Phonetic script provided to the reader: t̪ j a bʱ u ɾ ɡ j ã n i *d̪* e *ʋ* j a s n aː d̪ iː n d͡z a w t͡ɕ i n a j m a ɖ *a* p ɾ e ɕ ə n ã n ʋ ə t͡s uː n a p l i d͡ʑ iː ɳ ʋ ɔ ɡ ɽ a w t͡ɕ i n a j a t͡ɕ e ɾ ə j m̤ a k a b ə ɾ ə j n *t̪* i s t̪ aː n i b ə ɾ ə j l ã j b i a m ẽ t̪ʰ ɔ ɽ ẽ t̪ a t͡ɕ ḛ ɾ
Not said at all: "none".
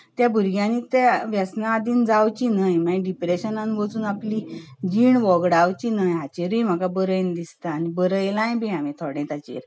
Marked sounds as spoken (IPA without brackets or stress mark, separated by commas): t̪, ʋ, i, d̪